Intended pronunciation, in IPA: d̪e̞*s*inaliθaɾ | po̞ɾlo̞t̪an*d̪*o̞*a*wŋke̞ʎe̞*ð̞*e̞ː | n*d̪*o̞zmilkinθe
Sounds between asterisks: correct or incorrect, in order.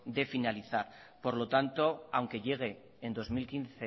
incorrect: f, incorrect: t̪, correct, incorrect: ɣ̞, correct

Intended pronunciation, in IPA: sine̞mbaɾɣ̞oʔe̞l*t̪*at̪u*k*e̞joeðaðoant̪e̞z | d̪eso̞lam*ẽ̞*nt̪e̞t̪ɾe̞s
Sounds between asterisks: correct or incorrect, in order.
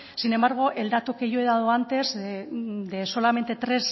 incorrect: d̪, correct, incorrect: e̞

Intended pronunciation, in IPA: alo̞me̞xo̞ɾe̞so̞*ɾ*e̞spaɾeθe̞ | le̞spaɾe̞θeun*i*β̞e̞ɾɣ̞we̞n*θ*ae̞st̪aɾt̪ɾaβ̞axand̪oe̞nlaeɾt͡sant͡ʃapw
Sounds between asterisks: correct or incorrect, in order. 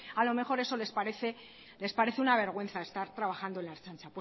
incorrect: l, incorrect: a, correct

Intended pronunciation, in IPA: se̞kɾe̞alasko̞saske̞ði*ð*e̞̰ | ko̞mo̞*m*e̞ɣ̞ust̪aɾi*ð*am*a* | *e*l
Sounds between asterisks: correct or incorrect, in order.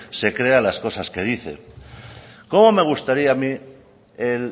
incorrect: θ, correct, incorrect: none, incorrect: i, correct

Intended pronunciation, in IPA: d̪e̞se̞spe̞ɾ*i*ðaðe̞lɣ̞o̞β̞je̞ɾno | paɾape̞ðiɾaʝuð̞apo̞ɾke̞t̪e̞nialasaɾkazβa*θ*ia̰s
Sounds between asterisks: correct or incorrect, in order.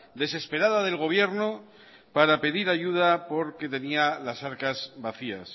incorrect: a, correct

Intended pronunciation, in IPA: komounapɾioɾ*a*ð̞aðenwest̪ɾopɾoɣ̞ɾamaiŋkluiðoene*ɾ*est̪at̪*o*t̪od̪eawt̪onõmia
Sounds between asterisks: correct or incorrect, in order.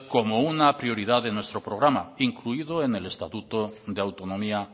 incorrect: i, incorrect: l, incorrect: u

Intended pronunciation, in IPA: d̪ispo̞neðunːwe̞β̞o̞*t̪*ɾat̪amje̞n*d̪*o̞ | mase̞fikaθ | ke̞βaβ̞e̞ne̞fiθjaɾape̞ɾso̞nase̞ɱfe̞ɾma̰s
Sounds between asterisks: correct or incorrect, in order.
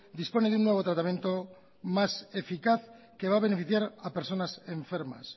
correct, incorrect: t̪

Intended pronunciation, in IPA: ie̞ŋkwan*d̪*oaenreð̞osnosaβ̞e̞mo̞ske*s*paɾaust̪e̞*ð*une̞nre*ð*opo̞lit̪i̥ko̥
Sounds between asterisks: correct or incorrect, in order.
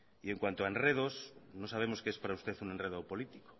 incorrect: t̪, correct, incorrect: θ, correct

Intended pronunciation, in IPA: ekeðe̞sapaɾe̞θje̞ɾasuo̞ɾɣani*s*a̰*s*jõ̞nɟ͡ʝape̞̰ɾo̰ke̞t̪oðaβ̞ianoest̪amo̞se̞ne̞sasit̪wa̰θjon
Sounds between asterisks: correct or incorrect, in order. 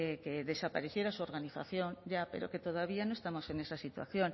incorrect: θ, incorrect: θ

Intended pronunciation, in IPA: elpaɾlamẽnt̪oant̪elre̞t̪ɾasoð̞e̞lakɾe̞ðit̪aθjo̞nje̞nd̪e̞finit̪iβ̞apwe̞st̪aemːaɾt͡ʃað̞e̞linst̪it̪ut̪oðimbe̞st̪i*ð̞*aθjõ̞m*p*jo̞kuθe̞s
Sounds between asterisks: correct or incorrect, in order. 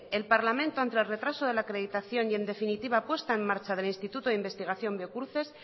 incorrect: ɣ̞, incorrect: b

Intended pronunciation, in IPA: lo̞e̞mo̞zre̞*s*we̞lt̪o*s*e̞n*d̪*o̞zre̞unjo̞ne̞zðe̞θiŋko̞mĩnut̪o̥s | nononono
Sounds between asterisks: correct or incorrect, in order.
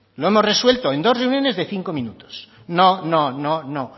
correct, incorrect: none, correct

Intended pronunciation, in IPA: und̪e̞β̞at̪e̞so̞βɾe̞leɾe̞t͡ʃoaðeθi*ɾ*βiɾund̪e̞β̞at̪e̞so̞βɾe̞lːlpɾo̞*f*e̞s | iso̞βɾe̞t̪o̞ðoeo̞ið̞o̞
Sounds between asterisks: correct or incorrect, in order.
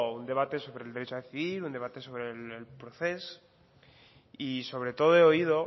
incorrect: none, incorrect: θ

